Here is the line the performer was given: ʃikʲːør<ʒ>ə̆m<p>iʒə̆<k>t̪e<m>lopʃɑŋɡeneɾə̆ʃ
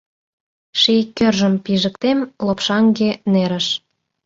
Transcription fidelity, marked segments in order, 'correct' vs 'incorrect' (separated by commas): correct, correct, correct, correct